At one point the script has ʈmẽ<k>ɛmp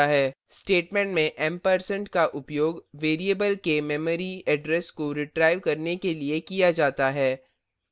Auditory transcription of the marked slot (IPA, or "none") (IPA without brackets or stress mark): ʔ